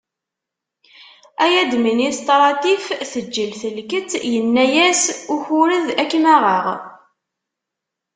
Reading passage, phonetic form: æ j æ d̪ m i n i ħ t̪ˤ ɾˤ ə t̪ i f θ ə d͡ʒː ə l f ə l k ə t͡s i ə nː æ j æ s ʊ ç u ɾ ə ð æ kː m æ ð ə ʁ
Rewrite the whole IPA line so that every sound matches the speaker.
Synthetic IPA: æ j æ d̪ m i n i s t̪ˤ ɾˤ ɑ t̪ i f θ ə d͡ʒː ə l θ ə l k ə t͡s j ə nː æ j æ s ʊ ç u ɾ ə ð æ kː m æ ʁ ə ʁ